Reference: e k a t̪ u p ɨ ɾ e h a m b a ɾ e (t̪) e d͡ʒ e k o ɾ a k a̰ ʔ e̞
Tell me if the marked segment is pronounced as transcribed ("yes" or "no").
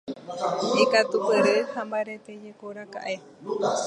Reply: yes